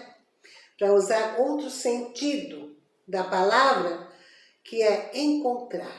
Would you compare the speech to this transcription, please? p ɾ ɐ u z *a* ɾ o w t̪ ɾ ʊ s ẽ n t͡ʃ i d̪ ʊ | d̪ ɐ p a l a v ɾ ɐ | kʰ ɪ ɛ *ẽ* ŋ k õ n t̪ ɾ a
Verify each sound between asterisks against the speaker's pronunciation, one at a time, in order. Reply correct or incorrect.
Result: correct, correct

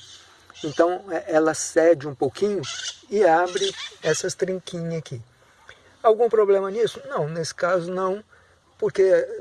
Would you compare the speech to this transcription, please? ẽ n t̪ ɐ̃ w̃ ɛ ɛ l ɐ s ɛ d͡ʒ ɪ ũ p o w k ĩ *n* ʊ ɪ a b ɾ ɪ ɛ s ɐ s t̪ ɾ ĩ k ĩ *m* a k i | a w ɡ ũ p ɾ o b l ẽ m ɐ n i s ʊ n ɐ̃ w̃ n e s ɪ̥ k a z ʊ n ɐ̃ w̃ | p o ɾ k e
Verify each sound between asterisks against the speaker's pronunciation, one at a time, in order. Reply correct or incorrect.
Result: incorrect: ɲ, incorrect: ɲ

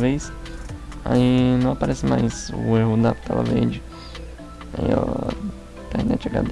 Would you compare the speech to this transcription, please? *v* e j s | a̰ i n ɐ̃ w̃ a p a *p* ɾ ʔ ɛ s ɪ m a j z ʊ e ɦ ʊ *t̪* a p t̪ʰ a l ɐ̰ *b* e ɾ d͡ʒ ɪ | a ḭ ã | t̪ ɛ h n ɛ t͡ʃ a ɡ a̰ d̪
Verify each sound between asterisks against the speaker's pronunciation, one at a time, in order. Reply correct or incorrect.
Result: correct, incorrect: none, incorrect: d̪, incorrect: v

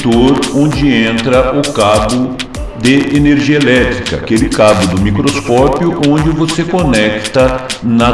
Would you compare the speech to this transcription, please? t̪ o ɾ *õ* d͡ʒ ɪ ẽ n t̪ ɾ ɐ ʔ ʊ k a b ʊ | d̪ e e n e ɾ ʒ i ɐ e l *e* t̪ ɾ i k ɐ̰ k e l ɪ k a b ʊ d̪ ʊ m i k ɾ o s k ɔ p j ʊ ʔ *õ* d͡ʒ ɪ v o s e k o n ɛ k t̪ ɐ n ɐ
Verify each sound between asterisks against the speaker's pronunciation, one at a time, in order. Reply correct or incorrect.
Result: correct, incorrect: ɛ, correct

